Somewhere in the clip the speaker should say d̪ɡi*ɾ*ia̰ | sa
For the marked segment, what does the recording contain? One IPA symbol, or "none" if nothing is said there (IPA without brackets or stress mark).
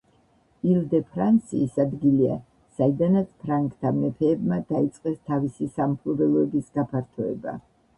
l